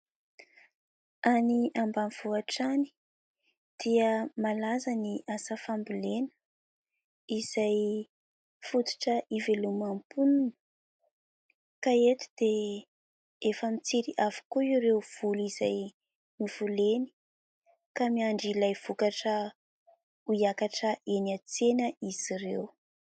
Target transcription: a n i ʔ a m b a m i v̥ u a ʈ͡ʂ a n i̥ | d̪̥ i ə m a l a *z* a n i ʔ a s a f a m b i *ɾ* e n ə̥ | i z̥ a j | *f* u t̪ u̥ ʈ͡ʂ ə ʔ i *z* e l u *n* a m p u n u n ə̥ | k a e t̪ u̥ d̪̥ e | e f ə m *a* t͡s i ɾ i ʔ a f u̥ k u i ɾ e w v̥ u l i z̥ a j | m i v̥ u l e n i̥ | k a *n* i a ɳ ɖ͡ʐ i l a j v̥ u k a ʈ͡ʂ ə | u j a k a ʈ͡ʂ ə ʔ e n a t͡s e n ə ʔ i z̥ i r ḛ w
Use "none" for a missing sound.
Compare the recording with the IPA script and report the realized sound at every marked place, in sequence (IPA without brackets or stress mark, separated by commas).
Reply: z, l, f, v, m, i, m